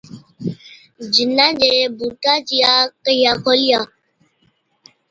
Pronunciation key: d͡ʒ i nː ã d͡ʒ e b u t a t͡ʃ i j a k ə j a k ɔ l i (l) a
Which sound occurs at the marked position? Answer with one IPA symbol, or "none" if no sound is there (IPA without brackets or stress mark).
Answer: none